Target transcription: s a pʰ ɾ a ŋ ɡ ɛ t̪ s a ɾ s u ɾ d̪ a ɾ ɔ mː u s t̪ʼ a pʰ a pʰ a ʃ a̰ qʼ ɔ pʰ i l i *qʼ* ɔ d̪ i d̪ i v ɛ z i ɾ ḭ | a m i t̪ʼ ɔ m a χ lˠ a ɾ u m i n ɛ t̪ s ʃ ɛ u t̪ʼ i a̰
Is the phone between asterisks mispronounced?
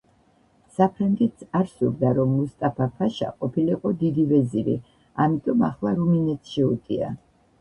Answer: no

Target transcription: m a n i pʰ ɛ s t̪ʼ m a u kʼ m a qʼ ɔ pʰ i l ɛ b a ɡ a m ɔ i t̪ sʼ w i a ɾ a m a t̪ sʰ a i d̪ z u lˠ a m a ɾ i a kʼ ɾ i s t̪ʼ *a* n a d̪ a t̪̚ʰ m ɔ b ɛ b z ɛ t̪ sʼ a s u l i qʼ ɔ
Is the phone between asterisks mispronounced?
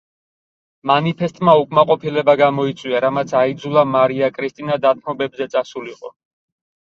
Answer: yes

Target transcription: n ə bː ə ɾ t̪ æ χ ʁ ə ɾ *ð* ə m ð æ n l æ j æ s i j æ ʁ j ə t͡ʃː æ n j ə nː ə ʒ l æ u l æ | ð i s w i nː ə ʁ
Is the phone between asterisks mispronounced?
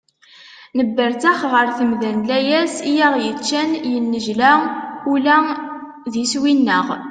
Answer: yes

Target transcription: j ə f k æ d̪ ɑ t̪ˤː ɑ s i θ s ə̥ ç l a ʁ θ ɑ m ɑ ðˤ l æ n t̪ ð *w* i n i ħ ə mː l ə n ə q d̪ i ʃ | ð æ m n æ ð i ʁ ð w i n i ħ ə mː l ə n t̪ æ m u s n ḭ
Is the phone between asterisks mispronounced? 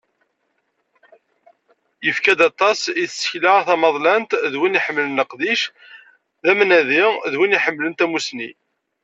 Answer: no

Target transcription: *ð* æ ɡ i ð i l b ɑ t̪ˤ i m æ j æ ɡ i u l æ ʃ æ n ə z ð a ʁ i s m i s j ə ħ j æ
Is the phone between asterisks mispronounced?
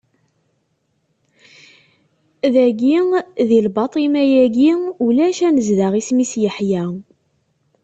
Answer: no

